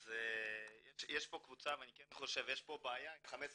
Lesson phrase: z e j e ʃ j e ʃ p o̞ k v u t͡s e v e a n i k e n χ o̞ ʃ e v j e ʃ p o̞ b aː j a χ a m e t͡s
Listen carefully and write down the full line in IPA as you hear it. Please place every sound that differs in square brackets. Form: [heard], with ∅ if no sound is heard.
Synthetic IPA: z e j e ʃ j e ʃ p o̞ k v u t͡s [a] v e a n i k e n χ o̞ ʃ e v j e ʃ p o̞ b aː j a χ a m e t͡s